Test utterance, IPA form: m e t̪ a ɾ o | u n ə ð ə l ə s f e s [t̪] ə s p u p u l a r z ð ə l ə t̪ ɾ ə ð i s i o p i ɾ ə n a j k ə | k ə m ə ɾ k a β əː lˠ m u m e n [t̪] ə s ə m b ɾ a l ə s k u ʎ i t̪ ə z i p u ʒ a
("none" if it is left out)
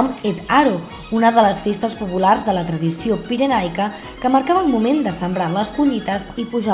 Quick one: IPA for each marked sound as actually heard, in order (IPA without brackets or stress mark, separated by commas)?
t̪, d̪